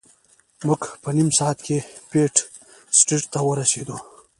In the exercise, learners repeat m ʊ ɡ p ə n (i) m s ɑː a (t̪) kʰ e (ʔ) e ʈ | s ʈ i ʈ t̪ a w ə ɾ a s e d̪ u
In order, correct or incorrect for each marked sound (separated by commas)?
correct, correct, incorrect